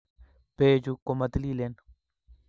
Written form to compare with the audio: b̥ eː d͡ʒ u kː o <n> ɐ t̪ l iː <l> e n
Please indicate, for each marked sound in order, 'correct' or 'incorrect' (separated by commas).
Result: incorrect, correct